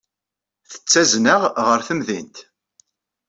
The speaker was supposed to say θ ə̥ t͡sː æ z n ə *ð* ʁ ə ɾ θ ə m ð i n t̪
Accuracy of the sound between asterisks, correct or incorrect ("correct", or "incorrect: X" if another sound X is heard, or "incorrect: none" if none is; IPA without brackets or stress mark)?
incorrect: ʁ